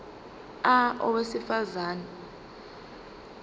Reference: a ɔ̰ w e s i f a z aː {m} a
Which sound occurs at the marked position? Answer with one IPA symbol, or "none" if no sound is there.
n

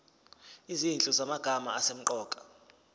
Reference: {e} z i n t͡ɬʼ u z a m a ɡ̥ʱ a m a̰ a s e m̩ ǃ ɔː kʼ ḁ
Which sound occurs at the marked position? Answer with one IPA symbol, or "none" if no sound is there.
i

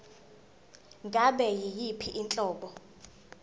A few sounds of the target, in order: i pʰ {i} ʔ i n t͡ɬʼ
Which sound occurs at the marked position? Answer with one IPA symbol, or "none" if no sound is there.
i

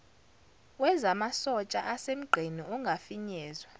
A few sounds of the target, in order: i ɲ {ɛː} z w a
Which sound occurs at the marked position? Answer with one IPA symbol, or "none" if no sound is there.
ɛː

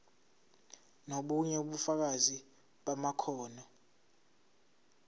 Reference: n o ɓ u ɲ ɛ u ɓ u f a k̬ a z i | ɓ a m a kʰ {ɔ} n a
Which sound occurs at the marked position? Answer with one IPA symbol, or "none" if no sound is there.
ɔː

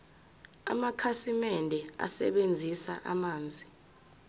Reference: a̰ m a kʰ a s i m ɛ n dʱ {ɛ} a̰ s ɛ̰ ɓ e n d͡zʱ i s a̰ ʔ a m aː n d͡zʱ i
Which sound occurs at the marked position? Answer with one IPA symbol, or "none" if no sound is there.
ɛ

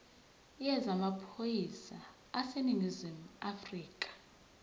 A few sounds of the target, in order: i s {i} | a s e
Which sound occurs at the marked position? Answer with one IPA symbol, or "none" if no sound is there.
a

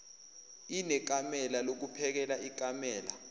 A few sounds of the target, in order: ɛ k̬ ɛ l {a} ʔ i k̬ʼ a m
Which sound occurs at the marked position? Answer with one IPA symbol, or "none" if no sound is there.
a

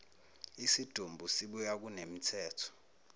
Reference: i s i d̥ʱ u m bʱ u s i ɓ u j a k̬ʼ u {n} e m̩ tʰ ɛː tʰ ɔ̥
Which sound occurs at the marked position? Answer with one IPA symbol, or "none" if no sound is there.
n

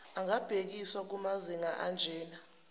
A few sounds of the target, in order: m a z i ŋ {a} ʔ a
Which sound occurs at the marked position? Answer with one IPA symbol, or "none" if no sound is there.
a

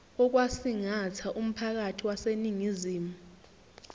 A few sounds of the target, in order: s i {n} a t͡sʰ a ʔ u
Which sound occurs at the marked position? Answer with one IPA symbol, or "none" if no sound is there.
ŋ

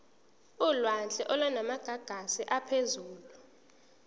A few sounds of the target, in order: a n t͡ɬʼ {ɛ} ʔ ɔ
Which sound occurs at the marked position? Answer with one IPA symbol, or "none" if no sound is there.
ɛ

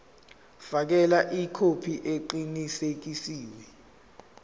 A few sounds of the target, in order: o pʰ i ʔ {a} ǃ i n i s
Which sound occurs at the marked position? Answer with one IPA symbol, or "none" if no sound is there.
e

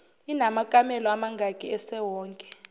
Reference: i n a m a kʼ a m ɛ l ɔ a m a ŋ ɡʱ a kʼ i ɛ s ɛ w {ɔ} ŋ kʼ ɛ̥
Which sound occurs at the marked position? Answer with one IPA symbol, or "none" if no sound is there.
ɔː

